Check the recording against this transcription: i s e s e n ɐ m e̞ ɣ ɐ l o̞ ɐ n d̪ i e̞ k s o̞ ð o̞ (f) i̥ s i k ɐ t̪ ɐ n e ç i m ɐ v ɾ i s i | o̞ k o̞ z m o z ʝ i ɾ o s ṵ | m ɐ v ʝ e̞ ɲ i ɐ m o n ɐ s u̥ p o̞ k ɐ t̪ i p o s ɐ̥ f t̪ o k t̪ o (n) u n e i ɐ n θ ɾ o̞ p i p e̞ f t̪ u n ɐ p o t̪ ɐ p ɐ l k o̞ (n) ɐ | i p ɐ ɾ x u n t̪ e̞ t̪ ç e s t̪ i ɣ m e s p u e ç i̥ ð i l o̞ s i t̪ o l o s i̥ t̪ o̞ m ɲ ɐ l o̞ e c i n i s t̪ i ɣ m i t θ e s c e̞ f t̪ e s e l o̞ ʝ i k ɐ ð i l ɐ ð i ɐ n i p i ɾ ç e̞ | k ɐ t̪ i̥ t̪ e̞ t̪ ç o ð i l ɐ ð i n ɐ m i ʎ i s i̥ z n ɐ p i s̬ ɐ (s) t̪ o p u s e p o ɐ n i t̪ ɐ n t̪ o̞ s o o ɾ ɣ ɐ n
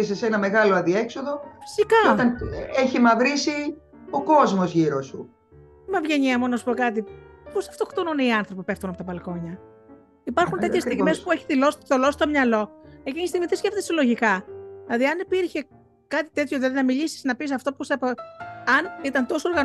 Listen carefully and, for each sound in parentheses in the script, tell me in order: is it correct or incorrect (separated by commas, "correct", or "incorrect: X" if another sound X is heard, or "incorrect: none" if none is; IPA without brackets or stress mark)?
correct, correct, incorrect: ɲ, incorrect: f